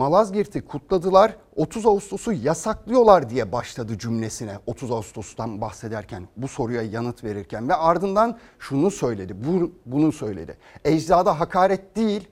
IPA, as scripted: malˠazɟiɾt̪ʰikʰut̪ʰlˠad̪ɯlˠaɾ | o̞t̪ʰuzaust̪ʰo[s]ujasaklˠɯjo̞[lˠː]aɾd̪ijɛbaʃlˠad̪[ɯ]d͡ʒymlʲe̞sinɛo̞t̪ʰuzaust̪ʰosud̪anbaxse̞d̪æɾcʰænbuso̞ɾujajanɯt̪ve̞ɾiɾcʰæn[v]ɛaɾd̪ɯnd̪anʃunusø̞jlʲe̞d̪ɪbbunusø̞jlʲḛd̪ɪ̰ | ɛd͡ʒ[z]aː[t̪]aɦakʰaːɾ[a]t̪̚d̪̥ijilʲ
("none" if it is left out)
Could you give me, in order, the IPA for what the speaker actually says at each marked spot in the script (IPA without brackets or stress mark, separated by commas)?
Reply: s, lˠ, ɯ, v, z, d̪, ɛ